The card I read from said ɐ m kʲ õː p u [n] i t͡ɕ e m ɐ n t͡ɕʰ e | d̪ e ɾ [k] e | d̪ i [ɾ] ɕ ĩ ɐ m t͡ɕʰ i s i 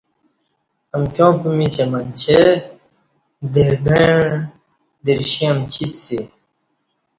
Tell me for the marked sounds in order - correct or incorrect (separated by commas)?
incorrect, incorrect, correct